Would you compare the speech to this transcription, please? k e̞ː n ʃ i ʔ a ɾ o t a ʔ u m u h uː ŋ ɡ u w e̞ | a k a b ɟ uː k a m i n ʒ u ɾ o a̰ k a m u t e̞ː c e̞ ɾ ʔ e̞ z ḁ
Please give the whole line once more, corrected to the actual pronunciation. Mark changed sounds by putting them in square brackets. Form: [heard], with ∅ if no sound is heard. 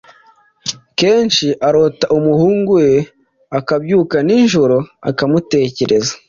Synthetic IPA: k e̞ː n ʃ i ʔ a ɾ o t a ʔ u m u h uː ŋ ɡ u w e̞ | a k a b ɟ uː k a [n] i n ʒ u ɾ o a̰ k a m u t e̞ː c e̞ ɾ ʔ e̞ z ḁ